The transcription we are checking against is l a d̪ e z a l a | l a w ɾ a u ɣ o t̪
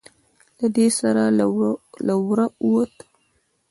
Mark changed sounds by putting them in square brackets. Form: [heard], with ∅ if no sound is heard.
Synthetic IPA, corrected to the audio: l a d̪ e [s] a [ɾ] a | l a w ɾ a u [w] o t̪